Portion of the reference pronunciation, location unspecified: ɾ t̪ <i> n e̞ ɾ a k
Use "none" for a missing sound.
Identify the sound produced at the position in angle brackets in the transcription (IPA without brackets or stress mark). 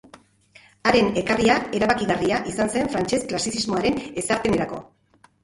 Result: e